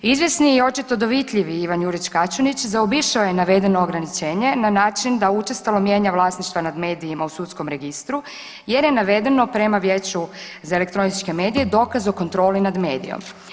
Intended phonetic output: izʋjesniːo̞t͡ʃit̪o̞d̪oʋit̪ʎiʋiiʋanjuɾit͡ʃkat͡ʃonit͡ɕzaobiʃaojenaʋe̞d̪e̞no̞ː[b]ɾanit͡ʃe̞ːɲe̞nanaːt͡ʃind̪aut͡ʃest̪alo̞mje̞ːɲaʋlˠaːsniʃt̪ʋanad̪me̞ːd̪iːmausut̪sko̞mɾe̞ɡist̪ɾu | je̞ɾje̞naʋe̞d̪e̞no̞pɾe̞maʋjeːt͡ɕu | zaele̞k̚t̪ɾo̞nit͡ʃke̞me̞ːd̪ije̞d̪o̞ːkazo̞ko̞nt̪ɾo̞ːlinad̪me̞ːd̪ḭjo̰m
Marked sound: incorrect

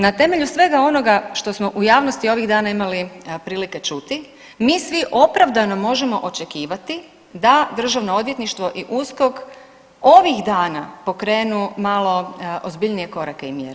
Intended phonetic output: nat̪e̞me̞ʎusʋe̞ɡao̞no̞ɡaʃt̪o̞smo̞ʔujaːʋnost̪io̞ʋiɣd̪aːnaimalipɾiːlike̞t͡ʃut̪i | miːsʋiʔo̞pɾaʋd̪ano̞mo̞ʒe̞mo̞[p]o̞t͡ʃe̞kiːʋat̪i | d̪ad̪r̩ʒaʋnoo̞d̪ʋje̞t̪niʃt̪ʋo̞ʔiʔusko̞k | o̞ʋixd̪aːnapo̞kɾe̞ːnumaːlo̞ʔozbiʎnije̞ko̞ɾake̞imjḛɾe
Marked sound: incorrect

